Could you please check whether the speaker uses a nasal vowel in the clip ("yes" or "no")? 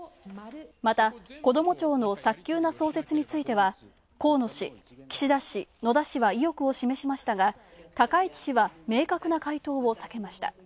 no